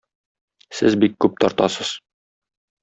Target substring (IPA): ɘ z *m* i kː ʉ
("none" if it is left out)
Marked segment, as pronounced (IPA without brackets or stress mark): b